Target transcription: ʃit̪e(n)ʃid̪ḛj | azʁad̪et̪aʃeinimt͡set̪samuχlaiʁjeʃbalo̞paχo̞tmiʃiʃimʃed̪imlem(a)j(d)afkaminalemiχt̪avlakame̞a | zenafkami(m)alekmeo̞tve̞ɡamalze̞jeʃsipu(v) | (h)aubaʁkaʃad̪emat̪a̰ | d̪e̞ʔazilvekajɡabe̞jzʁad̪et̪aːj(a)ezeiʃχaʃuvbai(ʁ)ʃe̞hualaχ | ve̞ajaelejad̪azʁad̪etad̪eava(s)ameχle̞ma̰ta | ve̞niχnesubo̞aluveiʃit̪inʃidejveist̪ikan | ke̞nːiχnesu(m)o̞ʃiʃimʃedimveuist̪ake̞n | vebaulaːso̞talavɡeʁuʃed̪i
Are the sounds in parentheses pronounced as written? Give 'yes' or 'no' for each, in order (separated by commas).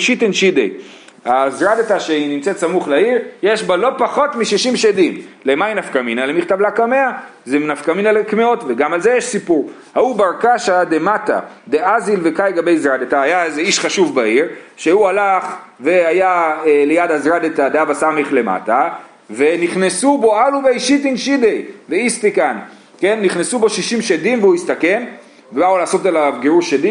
yes, yes, no, no, no, yes, yes, yes, yes, no